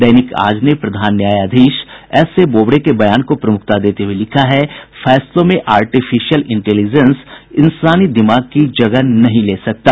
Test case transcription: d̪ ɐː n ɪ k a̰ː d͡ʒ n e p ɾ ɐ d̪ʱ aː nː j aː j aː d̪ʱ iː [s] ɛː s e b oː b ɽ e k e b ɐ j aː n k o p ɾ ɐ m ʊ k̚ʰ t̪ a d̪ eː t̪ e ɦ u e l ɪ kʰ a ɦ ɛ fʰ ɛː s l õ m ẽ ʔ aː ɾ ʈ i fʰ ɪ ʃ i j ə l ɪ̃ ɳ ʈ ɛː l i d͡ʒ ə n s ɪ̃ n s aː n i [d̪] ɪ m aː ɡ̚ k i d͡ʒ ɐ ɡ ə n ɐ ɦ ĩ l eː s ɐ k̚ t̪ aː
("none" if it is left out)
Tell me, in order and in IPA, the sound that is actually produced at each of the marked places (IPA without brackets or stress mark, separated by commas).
ʃ, d̪